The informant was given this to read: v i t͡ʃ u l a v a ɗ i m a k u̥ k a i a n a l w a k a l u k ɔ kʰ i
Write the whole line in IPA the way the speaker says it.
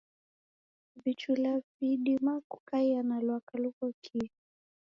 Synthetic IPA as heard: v i t͡ʃ u l a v i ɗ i m a k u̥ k a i a n a l w a k a l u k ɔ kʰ i

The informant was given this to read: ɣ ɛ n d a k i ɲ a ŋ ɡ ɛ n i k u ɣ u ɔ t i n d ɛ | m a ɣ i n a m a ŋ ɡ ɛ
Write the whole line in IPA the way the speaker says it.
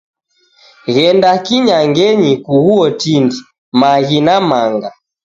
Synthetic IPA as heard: ɣ ɛ n d a k i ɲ a ŋ ɡ ɛ ɲ i k u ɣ u ɔ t i n d i | m a ɣ i n a m a ŋ ɡ a

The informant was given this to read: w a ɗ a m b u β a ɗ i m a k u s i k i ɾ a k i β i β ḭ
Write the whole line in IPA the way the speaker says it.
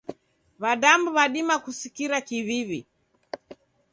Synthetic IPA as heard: β a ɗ a m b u β a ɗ i m a k u s i k i ɾ a k i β i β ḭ

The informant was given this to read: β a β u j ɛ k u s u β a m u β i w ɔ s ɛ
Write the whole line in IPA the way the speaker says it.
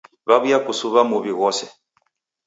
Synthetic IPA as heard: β a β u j a k u s u β a m u β i ɣ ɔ s ɛ

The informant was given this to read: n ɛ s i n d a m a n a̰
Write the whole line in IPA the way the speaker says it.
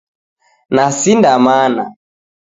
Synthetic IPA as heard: n a s i n d a m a n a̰

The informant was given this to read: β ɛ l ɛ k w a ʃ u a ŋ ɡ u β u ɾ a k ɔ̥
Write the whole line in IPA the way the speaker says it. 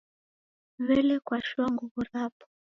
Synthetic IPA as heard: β ɛ l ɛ k w a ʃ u a ŋ ɡ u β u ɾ a p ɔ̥

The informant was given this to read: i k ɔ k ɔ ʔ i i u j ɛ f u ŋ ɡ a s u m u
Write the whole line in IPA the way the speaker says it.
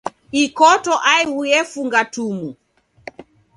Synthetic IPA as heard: i k ɔ t ɔ ʔ a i u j ɛ f u ŋ ɡ a t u m u

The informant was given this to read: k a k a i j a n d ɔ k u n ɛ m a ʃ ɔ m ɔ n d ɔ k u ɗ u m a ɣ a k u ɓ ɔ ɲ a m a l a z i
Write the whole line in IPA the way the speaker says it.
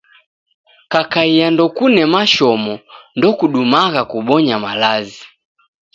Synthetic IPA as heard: k a k a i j a n d ɔ k u n ɛ m a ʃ ɔ m ɔ n d ɔ k u ɗ u m a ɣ a k u ɓ ɔ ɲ a m a l a z i

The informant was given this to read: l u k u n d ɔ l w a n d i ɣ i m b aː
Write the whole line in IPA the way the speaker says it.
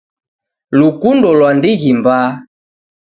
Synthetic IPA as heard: l u k u n d ɔ l w a n d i ɣ i m b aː

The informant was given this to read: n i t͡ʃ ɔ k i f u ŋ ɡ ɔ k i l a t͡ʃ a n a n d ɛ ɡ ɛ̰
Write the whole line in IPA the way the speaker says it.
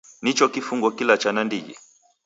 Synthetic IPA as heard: n i t͡ʃ ɔ k i f u ŋ ɡ ɔ k i l a t͡ʃ a n a n d i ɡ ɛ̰

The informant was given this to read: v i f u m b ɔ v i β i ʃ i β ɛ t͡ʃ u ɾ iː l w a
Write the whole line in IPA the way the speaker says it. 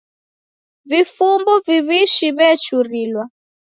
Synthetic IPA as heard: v i f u m b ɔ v i β i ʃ i β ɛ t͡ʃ u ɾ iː l w a

